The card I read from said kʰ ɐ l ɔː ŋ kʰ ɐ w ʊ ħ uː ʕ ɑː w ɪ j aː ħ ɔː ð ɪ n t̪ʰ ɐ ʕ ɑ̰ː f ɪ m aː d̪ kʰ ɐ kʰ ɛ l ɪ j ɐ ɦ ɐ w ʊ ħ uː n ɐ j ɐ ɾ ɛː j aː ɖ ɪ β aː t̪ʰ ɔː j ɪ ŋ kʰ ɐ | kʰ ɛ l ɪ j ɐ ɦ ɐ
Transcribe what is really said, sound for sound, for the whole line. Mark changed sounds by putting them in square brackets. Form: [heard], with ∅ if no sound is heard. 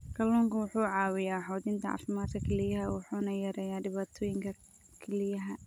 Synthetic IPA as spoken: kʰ ɐ l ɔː ŋ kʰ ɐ w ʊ ħ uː ʕ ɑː w ɪ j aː ħ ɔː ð ɪ n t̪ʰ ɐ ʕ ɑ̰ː f ɪ m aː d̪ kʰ ɐ kʰ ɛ l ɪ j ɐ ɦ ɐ w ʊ ħ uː n ɐ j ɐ ɾ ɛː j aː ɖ ɪ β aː t̪ʰ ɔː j ɪ ŋ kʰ ɐ | kʰ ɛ l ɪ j ɐ ɦ ɐ